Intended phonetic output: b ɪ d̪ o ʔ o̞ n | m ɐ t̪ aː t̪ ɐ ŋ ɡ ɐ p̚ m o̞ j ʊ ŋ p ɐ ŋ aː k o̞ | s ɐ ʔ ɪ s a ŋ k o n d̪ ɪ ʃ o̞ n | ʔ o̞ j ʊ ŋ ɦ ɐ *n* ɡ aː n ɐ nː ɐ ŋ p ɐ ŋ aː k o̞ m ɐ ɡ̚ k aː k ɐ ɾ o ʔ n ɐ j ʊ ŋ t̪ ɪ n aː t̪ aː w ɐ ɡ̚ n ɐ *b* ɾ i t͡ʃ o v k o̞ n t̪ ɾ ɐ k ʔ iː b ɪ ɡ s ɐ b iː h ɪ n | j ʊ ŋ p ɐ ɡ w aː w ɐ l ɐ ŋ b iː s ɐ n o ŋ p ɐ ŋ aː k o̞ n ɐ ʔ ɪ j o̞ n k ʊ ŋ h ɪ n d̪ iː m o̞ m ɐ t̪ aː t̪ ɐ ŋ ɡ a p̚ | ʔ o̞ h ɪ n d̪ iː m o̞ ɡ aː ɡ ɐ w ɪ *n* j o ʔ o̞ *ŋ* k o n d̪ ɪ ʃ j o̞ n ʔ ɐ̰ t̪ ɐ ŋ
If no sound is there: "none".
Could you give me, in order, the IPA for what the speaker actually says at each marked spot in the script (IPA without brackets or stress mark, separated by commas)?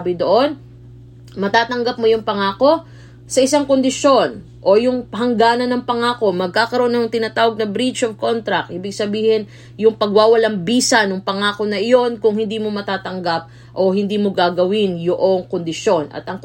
ŋ, b, n, ŋ